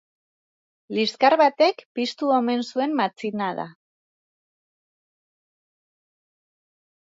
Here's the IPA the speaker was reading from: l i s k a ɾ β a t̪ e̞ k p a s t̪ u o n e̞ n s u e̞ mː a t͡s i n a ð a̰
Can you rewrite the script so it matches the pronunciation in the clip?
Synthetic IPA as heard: l i s k a ɾ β a t̪ e̞ k p i s t̪ u o m e̞ n s u e̞ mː a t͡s i n a ð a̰